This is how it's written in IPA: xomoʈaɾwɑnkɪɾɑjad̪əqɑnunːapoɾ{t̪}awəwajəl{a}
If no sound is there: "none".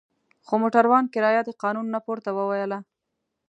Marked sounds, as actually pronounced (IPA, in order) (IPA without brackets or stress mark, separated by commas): t̪, a